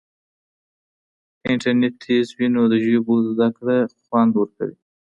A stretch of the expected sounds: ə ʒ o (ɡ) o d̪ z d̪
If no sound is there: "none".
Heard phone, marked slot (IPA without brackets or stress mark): b